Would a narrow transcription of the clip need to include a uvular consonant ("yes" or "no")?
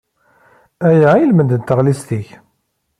yes